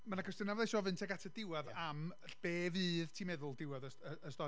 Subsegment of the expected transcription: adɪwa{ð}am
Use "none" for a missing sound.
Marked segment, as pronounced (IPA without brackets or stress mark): ð